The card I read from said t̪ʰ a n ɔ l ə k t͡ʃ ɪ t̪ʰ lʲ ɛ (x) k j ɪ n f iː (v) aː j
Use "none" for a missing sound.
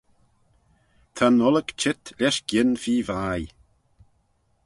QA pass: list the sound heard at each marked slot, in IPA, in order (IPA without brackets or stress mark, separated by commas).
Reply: ʃ, v